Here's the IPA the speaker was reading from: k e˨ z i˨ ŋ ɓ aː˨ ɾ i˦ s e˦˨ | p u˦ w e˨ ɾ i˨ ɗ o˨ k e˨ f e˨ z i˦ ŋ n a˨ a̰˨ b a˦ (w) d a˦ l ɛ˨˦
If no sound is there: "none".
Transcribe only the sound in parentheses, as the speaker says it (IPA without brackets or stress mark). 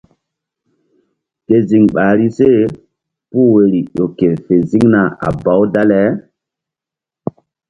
w